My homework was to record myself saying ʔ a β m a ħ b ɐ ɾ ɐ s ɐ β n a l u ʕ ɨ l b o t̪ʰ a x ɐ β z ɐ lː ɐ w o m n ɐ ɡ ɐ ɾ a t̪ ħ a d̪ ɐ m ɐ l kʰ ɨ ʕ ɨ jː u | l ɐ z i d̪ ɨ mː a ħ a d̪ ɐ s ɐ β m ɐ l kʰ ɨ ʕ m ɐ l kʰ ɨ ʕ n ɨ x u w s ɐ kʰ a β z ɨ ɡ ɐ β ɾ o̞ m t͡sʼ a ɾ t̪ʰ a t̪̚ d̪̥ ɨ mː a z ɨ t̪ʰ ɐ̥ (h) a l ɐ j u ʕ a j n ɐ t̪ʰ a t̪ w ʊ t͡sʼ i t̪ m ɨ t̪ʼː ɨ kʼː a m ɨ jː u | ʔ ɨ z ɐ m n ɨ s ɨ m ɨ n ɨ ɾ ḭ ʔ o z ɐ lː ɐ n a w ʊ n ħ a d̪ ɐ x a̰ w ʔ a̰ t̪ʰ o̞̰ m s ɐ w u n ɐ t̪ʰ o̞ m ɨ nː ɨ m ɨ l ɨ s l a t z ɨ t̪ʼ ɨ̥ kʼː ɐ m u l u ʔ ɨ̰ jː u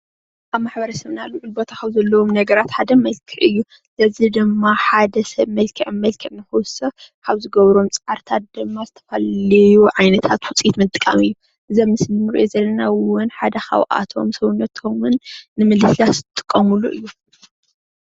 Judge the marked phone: incorrect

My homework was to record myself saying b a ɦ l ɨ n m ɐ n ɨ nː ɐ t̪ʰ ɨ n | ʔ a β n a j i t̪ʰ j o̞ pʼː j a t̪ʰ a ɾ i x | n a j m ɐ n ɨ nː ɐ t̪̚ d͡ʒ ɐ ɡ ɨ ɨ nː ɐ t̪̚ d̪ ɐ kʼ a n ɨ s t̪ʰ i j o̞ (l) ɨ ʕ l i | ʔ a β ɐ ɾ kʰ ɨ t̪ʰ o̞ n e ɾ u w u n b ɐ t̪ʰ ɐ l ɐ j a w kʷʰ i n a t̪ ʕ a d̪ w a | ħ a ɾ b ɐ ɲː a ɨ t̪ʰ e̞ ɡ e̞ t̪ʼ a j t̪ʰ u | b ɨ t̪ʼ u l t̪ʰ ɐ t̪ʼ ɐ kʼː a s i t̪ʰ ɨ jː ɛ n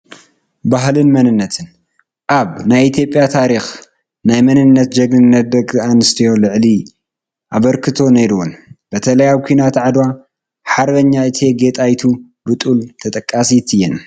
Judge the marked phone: correct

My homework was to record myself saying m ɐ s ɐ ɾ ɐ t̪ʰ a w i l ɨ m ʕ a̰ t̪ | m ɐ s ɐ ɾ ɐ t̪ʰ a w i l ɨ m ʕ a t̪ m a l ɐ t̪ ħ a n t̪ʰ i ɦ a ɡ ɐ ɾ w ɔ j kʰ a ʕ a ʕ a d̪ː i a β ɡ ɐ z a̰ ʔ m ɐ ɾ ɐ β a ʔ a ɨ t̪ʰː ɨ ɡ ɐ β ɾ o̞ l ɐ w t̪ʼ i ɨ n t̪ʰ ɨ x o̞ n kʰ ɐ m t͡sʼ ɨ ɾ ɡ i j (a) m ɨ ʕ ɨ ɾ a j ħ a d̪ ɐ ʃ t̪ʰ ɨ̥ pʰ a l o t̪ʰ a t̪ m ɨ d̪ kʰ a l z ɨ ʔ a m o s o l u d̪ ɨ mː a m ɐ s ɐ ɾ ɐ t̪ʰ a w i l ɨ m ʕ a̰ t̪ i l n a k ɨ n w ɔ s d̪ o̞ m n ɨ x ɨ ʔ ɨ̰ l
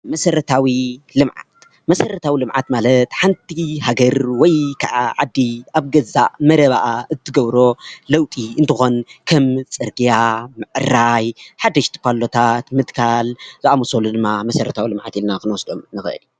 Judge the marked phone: correct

